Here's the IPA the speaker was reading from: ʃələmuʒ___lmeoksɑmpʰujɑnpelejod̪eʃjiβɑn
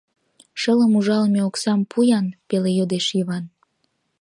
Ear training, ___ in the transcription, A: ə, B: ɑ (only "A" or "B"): B